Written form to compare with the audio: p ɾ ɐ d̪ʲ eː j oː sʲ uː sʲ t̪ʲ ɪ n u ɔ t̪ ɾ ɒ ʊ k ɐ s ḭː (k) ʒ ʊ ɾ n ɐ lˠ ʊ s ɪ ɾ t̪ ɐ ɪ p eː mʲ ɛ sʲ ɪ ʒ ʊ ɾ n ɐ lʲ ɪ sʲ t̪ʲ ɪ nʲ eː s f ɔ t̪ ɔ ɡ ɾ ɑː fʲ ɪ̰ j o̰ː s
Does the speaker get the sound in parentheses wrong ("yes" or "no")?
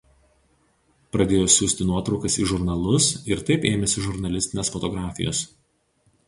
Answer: yes